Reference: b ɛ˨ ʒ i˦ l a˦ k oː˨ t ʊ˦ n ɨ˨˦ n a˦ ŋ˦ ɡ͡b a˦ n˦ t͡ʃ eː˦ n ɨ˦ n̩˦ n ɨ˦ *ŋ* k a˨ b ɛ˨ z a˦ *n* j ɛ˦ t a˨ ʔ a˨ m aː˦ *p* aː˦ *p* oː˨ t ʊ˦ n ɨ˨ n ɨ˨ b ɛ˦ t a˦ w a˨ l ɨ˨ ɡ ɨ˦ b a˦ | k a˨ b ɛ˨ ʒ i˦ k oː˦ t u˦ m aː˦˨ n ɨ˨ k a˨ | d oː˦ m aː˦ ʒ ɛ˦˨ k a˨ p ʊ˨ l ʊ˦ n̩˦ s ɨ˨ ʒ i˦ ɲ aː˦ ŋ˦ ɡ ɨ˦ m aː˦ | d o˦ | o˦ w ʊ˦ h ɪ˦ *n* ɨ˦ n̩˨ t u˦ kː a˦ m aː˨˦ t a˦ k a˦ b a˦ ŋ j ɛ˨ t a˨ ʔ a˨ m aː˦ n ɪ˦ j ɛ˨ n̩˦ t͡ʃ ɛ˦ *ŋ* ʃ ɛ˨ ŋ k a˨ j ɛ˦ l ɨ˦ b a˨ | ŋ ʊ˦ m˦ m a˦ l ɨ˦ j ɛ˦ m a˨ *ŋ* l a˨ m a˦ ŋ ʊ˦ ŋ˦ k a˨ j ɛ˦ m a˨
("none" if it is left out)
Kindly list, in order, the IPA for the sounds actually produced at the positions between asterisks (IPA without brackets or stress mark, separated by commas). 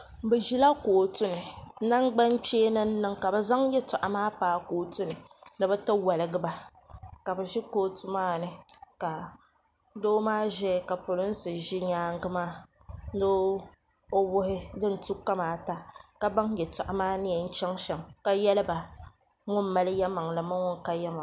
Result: ŋ, ŋ, p, k, d, ŋ, ŋ